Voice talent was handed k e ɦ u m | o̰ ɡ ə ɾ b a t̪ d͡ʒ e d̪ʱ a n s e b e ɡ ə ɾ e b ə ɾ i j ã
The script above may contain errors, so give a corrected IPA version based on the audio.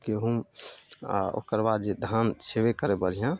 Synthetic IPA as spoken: k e ɦ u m | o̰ k ə ɾ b a d̪ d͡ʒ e d̪ʱ a n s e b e k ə ɾ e b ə ɾ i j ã